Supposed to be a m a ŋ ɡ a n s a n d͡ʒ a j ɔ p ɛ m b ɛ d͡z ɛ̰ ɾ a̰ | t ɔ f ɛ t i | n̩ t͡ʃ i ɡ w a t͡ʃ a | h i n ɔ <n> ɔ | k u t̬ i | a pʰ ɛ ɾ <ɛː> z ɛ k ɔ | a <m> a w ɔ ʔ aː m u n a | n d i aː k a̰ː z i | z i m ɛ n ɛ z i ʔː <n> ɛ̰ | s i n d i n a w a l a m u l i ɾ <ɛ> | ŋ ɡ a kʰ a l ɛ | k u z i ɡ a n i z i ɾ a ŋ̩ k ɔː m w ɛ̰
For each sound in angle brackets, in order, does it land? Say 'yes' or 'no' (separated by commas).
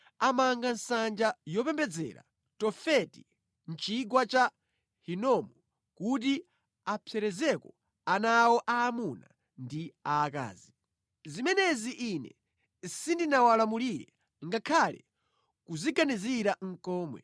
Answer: no, no, no, yes, yes